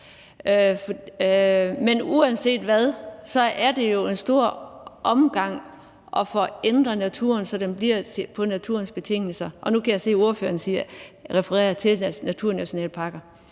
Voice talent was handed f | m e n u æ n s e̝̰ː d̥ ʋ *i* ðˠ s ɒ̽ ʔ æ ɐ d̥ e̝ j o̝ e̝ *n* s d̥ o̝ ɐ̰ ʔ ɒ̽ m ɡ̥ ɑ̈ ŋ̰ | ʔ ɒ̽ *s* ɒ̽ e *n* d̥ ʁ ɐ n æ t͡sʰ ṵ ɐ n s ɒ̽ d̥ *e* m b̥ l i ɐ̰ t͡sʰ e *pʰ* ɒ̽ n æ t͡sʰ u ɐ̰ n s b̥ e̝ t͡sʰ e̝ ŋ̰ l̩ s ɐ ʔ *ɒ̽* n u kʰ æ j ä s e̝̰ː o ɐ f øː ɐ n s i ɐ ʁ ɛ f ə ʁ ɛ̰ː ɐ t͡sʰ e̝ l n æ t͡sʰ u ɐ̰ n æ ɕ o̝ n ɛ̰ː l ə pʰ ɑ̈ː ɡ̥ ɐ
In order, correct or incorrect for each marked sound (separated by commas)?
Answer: incorrect, correct, incorrect, correct, correct, correct, correct